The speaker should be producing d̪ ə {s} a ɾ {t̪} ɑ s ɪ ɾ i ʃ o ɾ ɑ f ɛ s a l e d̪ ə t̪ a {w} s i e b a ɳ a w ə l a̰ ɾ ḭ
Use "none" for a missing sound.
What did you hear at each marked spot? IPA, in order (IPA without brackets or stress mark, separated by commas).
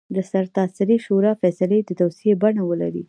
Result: s, t̪, w